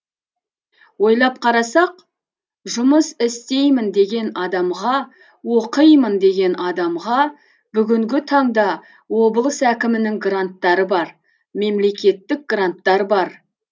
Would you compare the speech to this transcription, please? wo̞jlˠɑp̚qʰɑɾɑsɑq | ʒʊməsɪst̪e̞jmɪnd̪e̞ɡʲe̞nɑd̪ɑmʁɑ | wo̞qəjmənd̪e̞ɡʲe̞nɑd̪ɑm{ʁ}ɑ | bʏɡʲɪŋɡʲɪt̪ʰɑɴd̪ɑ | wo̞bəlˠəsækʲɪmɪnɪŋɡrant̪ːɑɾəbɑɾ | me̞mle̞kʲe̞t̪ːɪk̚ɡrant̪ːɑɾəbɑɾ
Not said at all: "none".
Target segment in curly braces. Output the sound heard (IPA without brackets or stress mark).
ʁ